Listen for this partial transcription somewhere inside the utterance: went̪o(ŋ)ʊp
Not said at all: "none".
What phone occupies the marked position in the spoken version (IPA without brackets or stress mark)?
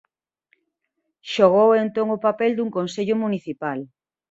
ŋ